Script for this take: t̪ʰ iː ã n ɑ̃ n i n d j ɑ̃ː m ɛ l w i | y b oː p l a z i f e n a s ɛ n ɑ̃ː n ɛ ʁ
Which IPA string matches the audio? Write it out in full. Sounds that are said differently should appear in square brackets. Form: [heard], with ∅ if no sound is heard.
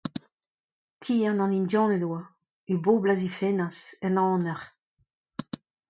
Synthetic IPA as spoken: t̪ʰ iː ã n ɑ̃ n i n d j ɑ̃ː [n] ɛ l w [a] | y b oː [b] l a z i f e n a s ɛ n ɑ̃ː n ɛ ʁ